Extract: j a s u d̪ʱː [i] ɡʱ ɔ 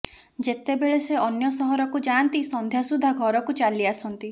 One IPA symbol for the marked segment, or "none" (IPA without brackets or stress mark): a